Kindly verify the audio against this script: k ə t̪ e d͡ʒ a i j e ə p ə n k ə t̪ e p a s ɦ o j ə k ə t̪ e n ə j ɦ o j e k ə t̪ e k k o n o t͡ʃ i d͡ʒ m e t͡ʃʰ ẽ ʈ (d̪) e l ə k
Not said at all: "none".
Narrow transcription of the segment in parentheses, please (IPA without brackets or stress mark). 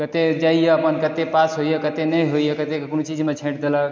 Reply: d̪